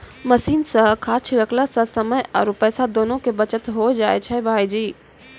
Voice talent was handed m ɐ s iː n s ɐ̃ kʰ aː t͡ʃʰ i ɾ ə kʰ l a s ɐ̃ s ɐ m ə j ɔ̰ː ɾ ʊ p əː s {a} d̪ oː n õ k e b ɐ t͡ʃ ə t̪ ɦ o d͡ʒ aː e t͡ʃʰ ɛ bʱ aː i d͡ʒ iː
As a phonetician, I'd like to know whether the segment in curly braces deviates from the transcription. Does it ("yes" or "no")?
no